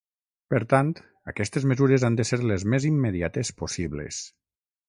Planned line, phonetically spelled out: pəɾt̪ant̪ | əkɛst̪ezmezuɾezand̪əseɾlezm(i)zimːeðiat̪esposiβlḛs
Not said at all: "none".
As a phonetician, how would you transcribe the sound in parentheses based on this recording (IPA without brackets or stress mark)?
e